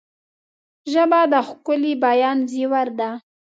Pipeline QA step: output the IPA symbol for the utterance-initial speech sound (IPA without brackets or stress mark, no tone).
ʒ